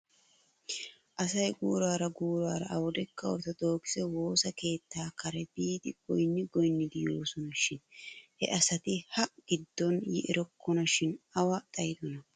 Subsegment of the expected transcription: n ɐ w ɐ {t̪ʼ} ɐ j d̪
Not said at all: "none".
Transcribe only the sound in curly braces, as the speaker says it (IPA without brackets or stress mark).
t̪ʼ